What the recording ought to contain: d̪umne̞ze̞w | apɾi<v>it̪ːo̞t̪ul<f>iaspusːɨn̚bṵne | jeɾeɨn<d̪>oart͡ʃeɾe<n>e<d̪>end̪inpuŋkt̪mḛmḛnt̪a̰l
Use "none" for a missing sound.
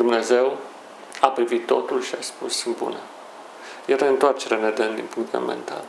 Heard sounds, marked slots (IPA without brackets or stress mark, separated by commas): v, ʃ, t̪, n, d̪